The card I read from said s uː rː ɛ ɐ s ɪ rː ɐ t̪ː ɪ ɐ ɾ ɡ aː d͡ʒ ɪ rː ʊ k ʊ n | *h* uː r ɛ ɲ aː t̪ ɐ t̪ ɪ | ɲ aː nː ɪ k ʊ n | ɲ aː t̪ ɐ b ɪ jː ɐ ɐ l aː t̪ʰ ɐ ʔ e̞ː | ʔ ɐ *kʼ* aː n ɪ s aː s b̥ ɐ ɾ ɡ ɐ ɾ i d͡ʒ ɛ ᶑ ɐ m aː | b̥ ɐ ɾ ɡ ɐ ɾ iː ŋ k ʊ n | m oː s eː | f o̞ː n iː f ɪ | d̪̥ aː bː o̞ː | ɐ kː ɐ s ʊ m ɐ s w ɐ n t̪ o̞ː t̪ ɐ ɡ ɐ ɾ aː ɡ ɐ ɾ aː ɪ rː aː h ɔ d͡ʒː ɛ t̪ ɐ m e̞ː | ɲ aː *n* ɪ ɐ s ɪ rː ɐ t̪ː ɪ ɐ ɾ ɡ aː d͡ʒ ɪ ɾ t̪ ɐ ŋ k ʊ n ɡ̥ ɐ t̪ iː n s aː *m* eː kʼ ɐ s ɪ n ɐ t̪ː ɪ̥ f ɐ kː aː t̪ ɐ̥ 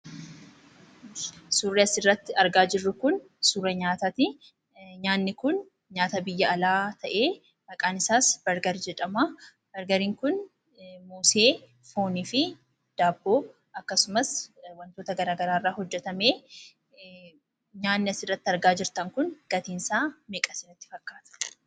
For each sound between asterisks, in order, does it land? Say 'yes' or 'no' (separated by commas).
no, yes, no, yes